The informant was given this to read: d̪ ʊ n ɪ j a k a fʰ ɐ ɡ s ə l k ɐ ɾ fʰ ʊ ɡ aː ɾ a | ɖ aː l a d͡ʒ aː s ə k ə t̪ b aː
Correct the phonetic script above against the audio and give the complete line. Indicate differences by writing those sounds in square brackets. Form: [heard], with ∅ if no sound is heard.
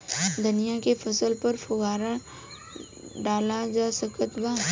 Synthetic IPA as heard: d̪ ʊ n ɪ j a k [e] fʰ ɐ [∅] s ə l [p] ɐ ɾ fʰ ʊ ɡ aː ɾ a | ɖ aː l a d͡ʒ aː s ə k ə t̪ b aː